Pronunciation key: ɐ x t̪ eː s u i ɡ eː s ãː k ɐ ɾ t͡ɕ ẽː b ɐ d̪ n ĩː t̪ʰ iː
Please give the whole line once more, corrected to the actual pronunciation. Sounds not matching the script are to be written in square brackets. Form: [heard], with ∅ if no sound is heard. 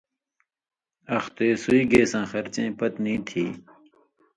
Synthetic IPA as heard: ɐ x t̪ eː s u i ɡ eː s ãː [x] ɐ ɾ t͡ɕ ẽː [p] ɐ [t̪] n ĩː t̪ʰ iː